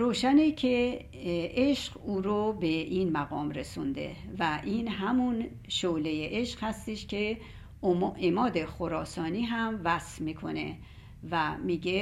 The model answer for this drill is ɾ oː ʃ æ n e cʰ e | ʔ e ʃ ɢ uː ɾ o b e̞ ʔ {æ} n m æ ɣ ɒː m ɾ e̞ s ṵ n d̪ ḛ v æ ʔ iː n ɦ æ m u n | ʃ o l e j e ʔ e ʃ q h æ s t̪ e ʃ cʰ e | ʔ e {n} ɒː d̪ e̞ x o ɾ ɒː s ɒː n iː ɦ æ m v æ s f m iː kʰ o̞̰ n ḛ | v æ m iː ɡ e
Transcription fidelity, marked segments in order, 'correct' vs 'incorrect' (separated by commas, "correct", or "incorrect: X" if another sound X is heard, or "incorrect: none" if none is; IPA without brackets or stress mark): incorrect: i, incorrect: m